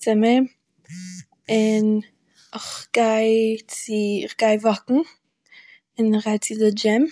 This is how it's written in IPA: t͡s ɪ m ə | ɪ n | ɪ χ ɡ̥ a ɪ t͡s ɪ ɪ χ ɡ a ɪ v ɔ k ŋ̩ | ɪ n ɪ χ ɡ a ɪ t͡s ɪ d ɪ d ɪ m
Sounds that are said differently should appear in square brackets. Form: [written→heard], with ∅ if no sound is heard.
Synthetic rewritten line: t͡s ɪ m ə | ɪ n | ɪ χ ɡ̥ a ɪ t͡s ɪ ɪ χ ɡ a ɪ v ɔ k ŋ̩ | ɪ n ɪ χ ɡ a ɪ t͡s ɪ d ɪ [d→d͡ʒ] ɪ m

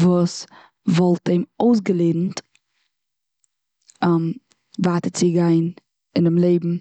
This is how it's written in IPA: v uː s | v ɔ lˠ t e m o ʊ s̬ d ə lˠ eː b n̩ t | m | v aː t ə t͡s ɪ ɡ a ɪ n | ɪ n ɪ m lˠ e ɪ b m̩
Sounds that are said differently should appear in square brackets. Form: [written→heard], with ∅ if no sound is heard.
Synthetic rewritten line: v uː s | v ɔ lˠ t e m o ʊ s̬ [d→ɡ] ə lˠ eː [b→d] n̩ t | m | v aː t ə t͡s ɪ ɡ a ɪ n | ɪ n ɪ m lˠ e ɪ b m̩

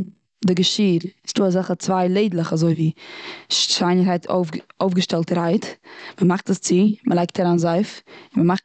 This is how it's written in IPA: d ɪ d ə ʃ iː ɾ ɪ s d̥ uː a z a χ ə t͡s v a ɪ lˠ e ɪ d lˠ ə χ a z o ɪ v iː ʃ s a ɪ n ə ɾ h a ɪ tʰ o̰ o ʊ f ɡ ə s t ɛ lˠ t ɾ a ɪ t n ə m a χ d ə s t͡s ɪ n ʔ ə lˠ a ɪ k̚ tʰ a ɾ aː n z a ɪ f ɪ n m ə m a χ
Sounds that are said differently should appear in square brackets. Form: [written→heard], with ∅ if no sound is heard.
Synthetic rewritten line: d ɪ [d→ɡ] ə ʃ iː ɾ ɪ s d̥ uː a z a χ ə t͡s v a ɪ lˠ e ɪ d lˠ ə χ a z o ɪ v iː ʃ [s→ʃ] a ɪ n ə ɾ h a ɪ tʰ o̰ o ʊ f ɡ ə [s→ʃ] t ɛ lˠ t ɾ a ɪ t [n→m] ə m a χ [d→t] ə s t͡s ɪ [n→m] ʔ ə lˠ a ɪ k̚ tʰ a ɾ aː n z a ɪ f ɪ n m ə m a χ

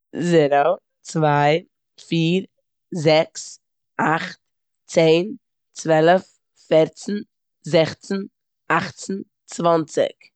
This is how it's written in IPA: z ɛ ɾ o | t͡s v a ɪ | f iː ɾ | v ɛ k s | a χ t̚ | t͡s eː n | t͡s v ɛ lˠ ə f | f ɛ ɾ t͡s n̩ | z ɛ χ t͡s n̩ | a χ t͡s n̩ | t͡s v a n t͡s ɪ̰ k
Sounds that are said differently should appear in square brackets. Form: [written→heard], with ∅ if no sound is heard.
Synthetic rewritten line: z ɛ ɾ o | t͡s v a ɪ | f iː ɾ | [v→z] ɛ k s | a χ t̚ | t͡s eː n | t͡s v ɛ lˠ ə f | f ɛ ɾ t͡s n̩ | z ɛ χ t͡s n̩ | a χ t͡s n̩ | t͡s v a n t͡s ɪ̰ k

